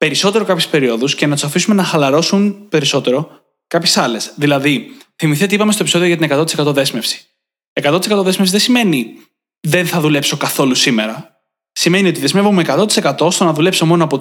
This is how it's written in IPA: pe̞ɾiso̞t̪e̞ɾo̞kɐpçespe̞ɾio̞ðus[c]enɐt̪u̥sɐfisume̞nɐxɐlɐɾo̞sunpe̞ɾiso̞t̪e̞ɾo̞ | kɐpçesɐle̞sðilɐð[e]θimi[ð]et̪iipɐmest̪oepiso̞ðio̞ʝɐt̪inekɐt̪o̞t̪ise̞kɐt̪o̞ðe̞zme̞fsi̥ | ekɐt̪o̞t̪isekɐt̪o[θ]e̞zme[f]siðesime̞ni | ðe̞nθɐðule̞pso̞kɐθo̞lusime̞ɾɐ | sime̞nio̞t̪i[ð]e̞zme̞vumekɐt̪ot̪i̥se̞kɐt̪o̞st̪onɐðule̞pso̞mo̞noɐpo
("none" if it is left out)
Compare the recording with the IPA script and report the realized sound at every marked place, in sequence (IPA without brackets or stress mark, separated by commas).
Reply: c, i, θ, ð, f, ð